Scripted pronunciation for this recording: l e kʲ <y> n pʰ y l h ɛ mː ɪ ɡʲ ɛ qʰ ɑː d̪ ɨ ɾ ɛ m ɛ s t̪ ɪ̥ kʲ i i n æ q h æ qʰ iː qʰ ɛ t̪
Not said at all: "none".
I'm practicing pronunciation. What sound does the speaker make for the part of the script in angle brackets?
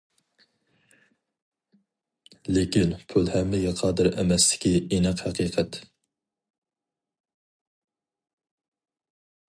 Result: i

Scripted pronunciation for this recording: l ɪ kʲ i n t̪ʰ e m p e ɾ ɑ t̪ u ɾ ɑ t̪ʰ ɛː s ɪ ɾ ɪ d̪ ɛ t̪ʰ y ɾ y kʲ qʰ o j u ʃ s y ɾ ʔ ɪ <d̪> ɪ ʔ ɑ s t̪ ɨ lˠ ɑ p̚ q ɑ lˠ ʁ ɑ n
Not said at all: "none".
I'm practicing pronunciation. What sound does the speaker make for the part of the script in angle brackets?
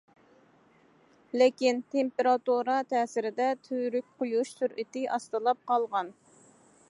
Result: t̪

